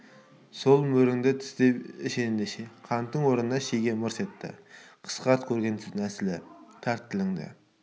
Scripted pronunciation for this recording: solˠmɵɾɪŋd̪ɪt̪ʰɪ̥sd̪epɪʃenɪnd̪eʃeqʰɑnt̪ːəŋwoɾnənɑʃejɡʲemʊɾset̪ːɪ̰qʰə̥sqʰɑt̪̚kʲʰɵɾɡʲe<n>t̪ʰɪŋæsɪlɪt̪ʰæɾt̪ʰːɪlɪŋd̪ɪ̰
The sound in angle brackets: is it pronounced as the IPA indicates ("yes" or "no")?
yes